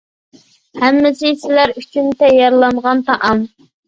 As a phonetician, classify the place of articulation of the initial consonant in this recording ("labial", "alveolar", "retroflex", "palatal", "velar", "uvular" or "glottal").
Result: glottal